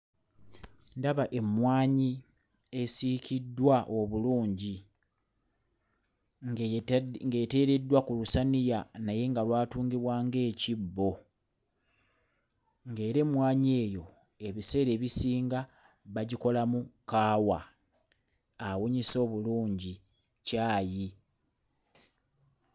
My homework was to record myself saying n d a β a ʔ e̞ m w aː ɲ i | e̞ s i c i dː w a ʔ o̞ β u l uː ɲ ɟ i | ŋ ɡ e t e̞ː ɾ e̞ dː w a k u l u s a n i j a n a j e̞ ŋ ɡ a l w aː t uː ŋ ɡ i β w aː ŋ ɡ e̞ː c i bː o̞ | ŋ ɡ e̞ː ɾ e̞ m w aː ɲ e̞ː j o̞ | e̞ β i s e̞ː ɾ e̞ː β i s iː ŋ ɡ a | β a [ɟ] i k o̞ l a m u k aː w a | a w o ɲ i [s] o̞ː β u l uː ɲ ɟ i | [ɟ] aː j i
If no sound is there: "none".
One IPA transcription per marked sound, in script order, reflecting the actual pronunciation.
ɟ, s, c

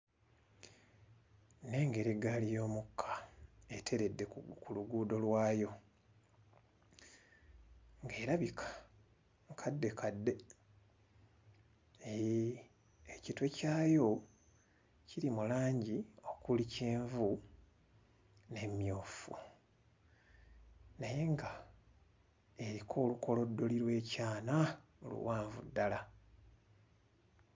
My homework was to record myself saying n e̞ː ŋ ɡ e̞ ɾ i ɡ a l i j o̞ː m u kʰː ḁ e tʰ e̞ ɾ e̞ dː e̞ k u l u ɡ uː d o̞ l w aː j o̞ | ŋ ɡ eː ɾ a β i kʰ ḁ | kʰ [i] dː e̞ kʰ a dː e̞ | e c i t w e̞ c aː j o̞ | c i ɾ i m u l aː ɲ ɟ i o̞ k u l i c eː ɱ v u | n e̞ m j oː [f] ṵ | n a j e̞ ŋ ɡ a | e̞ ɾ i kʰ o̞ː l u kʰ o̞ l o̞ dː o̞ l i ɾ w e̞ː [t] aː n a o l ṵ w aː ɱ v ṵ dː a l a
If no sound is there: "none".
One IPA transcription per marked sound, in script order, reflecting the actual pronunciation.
a, f, c

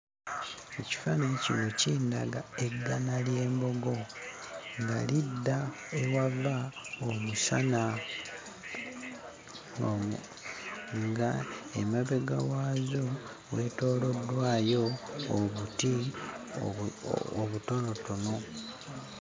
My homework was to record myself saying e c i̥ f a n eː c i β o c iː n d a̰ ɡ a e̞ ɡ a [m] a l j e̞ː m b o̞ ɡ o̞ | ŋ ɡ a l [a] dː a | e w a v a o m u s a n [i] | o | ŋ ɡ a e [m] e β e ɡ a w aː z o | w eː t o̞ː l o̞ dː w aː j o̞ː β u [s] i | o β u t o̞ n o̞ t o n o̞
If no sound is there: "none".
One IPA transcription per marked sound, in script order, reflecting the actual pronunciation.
n, i, a, m, t

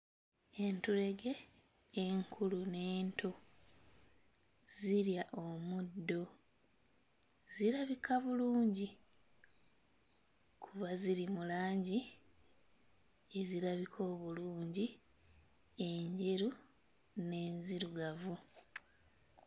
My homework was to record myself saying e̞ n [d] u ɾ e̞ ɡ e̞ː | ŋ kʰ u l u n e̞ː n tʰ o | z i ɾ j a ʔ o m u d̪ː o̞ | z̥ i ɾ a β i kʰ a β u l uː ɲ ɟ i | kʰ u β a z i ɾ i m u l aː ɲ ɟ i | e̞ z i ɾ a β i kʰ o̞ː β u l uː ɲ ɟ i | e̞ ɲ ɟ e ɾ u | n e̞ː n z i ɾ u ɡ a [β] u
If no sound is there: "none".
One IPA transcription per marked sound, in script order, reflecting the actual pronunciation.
t, v

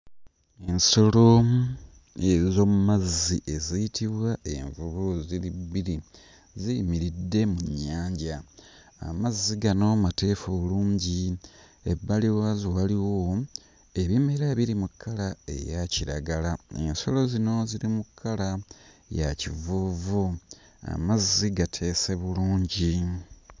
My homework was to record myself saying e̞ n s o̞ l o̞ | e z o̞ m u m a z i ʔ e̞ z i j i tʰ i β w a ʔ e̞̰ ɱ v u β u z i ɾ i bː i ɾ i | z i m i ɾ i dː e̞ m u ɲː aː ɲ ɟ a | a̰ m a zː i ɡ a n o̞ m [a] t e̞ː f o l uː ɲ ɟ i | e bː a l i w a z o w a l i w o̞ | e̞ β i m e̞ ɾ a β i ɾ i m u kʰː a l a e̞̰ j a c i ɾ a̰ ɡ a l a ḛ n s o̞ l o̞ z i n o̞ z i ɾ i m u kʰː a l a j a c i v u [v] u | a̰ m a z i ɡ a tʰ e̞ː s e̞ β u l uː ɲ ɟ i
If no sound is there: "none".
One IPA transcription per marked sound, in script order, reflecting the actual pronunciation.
a, v

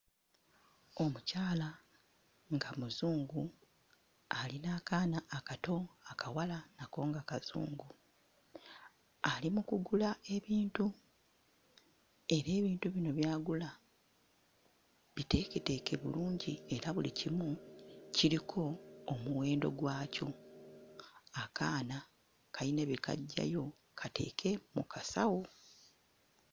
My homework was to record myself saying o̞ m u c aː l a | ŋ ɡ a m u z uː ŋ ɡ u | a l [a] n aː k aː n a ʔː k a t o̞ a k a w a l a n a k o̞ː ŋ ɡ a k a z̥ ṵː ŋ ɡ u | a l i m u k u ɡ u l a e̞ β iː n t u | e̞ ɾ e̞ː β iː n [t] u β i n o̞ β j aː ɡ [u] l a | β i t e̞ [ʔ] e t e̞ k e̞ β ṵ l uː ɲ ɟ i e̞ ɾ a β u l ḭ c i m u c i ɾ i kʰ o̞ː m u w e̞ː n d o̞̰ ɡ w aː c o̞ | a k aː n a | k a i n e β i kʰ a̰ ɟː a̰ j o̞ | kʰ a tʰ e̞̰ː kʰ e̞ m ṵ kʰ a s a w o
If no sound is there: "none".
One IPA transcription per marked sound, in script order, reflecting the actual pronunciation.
i, t, u, k

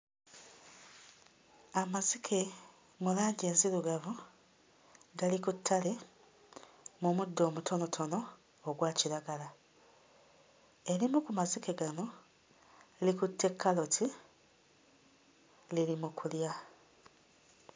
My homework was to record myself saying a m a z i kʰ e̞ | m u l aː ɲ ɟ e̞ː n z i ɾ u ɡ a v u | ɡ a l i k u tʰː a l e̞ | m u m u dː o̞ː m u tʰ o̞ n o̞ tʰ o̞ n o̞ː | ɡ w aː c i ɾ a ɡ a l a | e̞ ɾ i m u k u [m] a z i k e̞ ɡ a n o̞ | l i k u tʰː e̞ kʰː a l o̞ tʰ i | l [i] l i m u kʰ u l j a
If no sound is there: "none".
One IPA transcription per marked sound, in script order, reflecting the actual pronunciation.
m, i

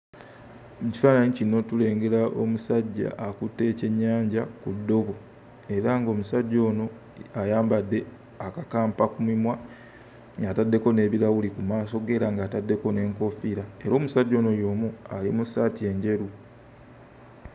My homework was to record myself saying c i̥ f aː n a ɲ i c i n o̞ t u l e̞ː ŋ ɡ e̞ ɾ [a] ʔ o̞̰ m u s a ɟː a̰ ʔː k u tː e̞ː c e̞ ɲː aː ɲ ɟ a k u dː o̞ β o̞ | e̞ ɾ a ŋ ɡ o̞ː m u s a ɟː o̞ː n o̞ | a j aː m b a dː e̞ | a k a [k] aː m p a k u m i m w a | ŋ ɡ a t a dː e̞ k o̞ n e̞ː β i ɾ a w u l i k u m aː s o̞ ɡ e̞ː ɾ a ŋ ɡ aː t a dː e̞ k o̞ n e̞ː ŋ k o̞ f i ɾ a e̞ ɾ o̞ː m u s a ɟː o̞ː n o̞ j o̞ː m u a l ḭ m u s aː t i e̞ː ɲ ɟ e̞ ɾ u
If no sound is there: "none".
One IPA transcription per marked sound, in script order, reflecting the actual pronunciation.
a, k

